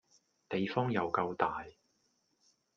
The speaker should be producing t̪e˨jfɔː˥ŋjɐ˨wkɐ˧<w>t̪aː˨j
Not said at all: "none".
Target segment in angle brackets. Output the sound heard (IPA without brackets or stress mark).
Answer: w